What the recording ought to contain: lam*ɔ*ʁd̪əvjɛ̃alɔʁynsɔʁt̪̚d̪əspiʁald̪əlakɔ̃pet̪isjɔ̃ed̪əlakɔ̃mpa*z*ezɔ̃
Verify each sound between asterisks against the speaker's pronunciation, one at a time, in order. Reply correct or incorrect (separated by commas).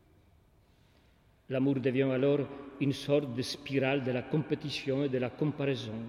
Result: incorrect, incorrect